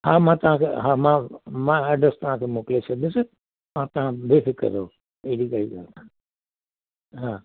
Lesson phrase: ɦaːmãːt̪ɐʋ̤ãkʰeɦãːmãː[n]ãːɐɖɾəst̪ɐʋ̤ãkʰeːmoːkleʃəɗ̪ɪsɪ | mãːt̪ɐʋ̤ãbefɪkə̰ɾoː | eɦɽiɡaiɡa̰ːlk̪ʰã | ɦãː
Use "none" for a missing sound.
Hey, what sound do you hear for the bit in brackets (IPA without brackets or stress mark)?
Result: m